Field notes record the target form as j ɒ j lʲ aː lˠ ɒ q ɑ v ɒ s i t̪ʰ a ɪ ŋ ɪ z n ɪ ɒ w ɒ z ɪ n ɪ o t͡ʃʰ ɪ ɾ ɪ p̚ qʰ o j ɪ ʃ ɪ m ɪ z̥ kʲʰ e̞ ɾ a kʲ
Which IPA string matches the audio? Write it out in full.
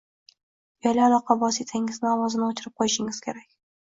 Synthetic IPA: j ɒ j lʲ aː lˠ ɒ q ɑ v ɒ s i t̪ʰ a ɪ ŋ ɪ z n ɪ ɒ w ɒ z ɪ n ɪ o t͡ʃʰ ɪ ɾ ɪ p̚ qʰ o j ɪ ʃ ɪ ŋ ɪ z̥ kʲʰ e̞ ɾ a kʲ

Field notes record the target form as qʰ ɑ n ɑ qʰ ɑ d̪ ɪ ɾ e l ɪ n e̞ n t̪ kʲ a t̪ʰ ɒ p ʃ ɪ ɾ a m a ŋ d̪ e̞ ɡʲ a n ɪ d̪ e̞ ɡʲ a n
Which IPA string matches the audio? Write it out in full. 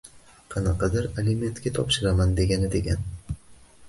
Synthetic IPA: qʰ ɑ n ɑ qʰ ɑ d̪ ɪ ɾ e l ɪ m e̞ n t̪ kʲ a t̪ʰ ɒ p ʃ ɪ ɾ a m a n d̪ e̞ ɡʲ a n ɪ d̪ e̞ ɡʲ a n

